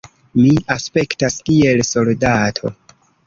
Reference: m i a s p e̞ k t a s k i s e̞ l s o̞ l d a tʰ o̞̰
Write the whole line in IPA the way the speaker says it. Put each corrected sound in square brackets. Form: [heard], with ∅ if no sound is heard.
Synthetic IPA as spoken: m i a s p e̞ k t a s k i [∅] e̞ l s o̞ l d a tʰ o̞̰